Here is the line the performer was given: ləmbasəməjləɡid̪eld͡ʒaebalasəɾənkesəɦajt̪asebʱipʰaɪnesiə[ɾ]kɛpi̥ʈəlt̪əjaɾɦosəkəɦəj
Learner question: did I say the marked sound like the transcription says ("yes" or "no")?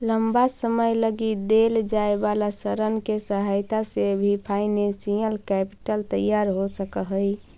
no